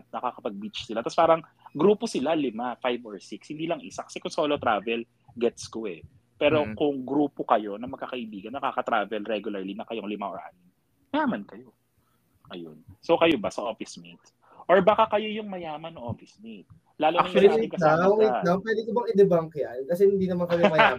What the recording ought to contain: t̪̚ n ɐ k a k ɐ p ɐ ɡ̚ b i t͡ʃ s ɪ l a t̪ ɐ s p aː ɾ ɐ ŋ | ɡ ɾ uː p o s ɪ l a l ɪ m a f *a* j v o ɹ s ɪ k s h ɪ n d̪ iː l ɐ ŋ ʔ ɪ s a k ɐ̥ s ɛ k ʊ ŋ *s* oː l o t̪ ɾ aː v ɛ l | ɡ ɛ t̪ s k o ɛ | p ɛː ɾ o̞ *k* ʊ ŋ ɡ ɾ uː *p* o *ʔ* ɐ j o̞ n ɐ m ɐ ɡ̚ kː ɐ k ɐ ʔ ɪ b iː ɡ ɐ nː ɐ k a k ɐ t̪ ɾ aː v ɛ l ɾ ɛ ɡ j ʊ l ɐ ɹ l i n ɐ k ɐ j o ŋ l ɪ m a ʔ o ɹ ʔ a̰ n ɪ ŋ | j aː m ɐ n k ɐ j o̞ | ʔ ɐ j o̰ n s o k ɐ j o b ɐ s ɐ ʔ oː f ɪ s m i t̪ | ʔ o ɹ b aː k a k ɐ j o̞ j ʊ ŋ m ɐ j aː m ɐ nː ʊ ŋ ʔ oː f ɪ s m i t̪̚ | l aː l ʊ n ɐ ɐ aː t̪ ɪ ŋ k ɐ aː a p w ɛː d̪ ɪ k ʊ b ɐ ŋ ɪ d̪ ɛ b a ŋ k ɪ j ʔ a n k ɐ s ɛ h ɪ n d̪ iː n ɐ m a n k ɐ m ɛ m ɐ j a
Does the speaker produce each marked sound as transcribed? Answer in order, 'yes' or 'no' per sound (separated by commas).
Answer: yes, yes, yes, yes, no